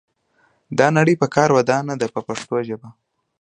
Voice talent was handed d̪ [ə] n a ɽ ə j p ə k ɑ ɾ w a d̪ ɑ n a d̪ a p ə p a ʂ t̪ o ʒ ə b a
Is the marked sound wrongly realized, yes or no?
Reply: yes